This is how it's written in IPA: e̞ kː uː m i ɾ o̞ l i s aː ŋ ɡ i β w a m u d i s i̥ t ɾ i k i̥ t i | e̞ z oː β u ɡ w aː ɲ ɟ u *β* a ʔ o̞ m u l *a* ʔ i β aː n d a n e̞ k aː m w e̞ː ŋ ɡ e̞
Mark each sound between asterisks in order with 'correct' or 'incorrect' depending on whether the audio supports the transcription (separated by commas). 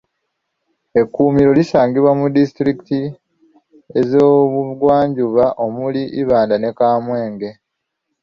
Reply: correct, incorrect